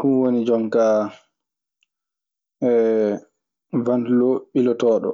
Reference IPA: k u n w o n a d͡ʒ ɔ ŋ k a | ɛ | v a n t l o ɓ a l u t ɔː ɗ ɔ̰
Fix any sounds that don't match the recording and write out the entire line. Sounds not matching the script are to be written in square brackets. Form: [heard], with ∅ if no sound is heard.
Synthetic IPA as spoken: k u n w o n [i] d͡ʒ ɔ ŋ k a | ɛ | v a n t l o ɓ [i] l [ɔ] t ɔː ɗ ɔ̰